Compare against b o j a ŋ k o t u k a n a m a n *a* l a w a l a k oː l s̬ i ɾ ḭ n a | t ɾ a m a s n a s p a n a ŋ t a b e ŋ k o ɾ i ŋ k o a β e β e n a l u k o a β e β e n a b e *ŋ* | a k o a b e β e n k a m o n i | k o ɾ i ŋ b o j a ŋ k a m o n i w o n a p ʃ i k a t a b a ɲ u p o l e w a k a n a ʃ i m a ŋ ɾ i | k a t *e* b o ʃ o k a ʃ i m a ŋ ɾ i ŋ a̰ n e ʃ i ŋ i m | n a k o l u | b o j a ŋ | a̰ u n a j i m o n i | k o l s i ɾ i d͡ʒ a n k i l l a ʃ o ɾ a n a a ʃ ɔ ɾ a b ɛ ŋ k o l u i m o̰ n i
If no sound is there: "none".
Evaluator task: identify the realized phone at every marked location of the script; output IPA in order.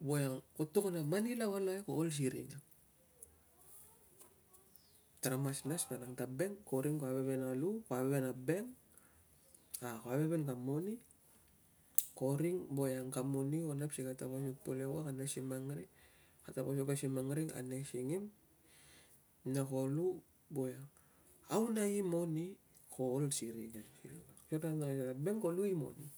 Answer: i, ŋ, a

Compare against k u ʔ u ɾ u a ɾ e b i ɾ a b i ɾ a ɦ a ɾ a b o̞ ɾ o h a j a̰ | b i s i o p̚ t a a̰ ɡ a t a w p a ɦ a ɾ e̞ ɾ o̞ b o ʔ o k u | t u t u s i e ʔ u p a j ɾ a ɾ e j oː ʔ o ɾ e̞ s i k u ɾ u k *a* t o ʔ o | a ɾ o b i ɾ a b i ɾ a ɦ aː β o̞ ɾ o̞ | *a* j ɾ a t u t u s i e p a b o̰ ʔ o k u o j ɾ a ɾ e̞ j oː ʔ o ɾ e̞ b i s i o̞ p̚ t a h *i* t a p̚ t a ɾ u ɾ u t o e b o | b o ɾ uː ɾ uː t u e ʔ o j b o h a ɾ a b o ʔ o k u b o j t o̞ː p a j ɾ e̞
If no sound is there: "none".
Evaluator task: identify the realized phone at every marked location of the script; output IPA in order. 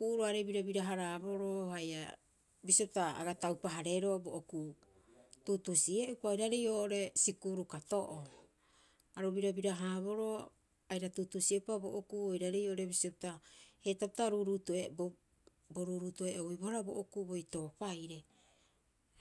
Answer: a, a, e

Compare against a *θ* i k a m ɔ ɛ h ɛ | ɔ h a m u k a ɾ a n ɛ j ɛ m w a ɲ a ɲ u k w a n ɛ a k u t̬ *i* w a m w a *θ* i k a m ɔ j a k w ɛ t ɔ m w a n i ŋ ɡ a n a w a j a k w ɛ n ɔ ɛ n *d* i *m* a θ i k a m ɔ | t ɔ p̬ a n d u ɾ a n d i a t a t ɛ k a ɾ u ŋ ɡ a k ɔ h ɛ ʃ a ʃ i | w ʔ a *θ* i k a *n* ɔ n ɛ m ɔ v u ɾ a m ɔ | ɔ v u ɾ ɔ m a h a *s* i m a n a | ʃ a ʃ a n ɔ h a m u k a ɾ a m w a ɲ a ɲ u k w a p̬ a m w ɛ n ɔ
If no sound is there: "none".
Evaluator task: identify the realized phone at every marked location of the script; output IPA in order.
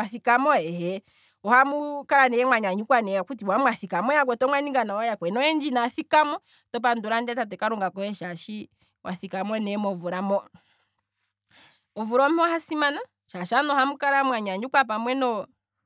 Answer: θ, i, θ, d͡ʒ, n, θ, m, s

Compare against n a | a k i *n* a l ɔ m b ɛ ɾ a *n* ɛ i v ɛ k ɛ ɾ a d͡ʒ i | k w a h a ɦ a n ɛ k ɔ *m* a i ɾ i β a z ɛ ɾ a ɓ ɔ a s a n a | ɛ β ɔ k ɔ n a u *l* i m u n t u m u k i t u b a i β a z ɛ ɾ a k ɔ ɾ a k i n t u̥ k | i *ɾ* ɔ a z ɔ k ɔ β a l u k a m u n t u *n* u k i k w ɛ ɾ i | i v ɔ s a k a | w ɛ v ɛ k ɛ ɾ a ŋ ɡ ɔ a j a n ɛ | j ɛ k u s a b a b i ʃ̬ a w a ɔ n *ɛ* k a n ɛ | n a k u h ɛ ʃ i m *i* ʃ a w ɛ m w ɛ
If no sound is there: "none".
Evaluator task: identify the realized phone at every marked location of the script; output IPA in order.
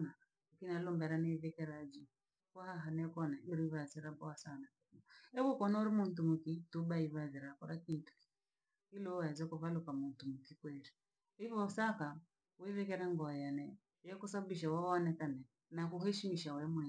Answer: n, n, n, ɾ, l, m, ɛ, i

